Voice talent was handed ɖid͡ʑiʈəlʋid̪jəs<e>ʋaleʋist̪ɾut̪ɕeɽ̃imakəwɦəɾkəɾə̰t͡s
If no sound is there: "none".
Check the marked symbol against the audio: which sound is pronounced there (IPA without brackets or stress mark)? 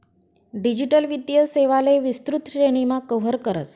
e